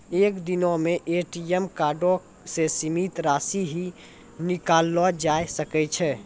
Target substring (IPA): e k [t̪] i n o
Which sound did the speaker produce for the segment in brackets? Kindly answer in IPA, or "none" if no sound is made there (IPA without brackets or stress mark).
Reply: d̪